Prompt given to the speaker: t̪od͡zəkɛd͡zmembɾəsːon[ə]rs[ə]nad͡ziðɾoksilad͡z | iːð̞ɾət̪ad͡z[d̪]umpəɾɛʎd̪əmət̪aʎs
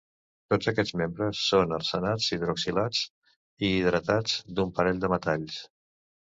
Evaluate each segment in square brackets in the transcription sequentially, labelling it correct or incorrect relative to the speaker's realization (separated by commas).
correct, correct, correct